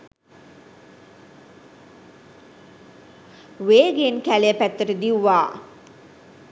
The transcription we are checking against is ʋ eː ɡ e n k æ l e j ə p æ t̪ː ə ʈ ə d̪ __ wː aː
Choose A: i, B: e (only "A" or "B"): A